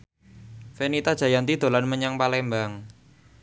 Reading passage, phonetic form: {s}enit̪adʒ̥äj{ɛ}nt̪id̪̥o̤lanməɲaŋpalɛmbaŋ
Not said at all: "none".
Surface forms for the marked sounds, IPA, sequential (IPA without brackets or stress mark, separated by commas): f, a